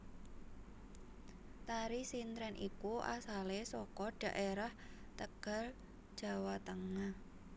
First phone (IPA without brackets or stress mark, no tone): t̪